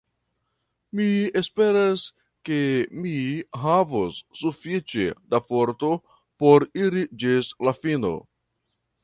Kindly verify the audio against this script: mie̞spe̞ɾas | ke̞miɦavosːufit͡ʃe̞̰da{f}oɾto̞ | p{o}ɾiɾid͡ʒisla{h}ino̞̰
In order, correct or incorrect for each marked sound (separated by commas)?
correct, correct, incorrect